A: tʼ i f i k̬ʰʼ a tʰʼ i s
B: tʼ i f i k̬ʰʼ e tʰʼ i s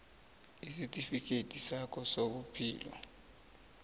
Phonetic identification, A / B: B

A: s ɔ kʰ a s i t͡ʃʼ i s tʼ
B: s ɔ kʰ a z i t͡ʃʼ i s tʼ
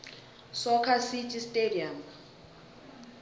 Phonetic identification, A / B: A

